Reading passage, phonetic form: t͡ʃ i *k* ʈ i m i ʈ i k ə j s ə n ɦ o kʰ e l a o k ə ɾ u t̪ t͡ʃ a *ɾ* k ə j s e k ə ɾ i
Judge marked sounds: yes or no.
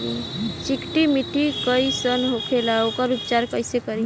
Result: yes, yes

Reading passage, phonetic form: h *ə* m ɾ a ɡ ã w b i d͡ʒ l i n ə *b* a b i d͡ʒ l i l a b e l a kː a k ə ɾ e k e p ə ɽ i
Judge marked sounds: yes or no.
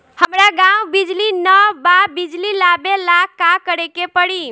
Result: yes, yes

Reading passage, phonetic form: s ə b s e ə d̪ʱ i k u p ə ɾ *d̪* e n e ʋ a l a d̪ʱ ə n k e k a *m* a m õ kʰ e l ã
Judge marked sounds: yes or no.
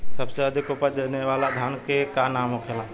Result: yes, no

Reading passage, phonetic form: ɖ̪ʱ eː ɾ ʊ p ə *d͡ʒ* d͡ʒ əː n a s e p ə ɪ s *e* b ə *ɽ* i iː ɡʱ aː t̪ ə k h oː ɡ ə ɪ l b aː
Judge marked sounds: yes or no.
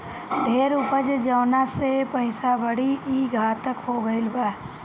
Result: yes, no, yes

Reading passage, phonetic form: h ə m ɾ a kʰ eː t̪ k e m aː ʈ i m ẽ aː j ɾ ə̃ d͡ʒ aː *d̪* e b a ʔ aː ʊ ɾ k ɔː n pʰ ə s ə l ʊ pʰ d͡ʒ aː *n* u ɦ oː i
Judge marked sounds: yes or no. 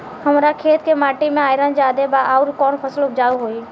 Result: yes, no

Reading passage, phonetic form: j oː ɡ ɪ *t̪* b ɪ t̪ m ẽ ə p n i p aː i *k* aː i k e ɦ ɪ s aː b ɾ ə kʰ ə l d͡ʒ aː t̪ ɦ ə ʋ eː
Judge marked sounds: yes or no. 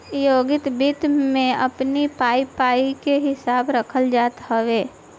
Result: yes, no

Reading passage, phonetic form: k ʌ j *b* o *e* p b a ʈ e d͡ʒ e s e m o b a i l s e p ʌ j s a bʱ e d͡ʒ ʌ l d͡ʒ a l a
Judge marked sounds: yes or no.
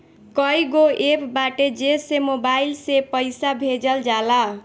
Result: no, yes

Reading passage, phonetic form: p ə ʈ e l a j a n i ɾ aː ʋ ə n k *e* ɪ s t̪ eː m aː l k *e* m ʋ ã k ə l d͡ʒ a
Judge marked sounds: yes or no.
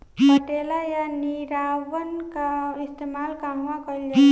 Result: no, no

